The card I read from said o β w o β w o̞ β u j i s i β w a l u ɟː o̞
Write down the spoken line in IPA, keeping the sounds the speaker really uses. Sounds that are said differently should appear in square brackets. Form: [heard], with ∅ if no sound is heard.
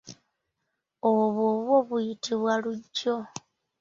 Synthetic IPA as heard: o β w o β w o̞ β u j i [t] i β w a l u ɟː o̞